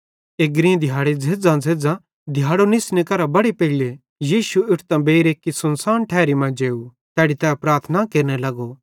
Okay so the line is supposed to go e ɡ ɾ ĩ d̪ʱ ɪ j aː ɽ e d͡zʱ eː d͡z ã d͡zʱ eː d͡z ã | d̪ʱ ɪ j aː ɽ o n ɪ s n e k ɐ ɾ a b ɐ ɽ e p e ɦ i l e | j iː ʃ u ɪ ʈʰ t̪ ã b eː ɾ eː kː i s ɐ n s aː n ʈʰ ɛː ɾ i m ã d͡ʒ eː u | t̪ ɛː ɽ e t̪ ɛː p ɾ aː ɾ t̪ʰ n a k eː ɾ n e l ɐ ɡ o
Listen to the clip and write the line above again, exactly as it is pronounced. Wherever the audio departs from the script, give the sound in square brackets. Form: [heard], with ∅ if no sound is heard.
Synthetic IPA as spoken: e ɡ ɾ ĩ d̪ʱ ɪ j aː ɽ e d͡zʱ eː d͡z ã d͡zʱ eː d͡z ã | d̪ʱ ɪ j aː ɽ o n ɪ s n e k ɐ ɾ a b ɐ ɽ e p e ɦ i l e | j iː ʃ u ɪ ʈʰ t̪ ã b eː ɾ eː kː i s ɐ n s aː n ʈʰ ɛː ɾ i m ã d͡ʒ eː u | t̪ ɛː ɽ [i] t̪ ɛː p ɾ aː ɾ t̪ʰ n a k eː ɾ n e l ɐ ɡ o